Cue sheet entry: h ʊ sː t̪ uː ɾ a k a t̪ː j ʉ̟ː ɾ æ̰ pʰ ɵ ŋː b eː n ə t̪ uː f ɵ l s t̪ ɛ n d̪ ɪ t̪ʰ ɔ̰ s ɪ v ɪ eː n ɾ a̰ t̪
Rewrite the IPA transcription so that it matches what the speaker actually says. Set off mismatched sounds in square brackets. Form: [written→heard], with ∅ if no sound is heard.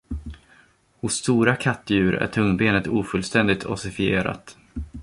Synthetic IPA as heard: h ʊ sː t̪ uː ɾ a [k→kʰ] a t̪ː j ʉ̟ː ɾ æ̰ [pʰ→ʈʰ] ɵ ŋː b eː n ə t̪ uː f ɵ l s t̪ ɛ n d̪ ɪ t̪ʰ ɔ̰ s ɪ [v→f] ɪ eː [n→∅] ɾ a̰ t̪